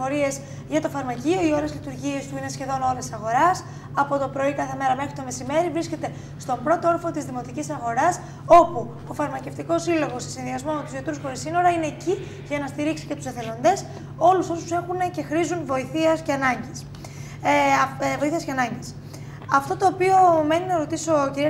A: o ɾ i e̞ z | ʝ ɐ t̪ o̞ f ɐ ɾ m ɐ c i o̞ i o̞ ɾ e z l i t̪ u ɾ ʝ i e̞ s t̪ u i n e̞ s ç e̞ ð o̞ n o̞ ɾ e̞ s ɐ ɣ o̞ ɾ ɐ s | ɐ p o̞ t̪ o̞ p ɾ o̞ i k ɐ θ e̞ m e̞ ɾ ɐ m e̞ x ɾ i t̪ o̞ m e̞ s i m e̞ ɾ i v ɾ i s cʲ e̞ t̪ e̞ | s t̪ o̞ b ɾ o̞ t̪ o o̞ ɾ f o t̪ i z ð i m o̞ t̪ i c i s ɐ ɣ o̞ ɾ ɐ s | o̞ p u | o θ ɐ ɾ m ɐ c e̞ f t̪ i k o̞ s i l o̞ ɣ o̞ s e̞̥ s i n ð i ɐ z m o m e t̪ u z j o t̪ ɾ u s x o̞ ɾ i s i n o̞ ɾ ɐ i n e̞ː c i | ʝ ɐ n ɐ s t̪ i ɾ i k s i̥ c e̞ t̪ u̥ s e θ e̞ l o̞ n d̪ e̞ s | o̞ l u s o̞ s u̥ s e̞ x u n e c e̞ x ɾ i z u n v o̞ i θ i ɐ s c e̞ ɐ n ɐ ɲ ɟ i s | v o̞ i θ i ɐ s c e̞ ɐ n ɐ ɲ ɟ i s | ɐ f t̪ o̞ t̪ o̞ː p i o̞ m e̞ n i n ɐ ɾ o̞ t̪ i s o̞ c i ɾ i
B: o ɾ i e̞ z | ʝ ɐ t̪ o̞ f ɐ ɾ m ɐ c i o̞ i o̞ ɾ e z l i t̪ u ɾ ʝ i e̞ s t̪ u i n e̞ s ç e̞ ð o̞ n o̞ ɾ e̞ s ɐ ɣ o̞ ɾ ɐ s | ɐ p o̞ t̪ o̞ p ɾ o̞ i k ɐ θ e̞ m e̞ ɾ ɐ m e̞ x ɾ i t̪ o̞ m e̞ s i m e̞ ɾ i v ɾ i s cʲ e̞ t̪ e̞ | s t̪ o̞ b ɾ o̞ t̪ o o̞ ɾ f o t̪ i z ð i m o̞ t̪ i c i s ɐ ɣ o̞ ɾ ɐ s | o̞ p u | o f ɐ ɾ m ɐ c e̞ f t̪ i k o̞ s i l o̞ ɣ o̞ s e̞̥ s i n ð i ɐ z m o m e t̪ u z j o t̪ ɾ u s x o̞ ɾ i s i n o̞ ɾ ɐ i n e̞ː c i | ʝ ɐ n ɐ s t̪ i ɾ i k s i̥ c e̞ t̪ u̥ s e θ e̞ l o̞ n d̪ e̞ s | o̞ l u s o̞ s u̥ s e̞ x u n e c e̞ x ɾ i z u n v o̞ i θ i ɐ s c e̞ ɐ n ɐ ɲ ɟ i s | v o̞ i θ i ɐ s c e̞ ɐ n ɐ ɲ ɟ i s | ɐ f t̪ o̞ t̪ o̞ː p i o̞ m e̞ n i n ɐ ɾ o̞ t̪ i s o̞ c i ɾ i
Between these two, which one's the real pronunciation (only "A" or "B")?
B